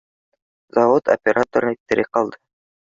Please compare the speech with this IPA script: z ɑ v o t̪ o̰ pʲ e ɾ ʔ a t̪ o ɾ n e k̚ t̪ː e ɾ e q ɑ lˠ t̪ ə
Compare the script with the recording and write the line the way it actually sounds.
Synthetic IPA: z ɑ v o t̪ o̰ pʲ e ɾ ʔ a t̪ o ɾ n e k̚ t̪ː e ɾ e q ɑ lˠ d̪ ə